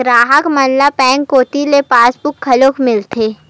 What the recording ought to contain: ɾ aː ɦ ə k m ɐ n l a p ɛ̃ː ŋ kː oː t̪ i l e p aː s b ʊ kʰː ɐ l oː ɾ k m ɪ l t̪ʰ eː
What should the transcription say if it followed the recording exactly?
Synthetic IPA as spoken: ɾ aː ɦ ə k m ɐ n l a p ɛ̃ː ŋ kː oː t̪ i l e p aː s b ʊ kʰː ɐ l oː k m ɪ l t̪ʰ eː